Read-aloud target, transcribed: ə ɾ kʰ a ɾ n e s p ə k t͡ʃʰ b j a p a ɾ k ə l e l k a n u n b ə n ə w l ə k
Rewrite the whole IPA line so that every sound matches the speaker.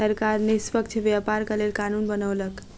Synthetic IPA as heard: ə ɾ k a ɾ n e s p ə k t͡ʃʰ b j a p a ɾ k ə l e l k a n u n b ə n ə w l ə k